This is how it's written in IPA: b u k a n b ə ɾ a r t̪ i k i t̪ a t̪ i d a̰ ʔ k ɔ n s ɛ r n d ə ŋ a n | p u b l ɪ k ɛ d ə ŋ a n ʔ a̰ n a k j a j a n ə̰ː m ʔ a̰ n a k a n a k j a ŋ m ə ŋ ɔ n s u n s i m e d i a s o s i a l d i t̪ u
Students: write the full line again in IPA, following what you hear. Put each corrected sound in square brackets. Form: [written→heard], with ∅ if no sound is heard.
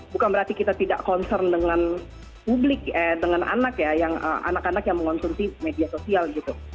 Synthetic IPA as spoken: b u k a n b ə ɾ a r t̪ i k i t̪ a t̪ i d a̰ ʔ k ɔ n s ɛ r n d ə ŋ a n | p u b l ɪ k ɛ d ə ŋ a n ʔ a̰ n a k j a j a [n→ŋ] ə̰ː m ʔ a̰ n a k a n a k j a ŋ m ə ŋ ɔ n s u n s i m e d i a s o s i a l [d→ɡ] i t̪ u